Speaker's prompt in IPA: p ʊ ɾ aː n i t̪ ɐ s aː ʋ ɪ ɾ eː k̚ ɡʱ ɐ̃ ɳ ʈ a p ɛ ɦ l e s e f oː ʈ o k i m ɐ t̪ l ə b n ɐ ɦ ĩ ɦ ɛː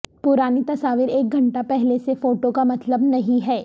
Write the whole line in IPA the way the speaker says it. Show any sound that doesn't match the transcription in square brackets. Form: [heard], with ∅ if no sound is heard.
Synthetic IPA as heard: p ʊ ɾ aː n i t̪ ɐ s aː ʋ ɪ ɾ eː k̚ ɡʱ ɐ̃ ɳ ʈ a p ɛ ɦ l e s e f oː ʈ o k [a] m ɐ t̪ l ə b n ɐ ɦ ĩ ɦ ɛː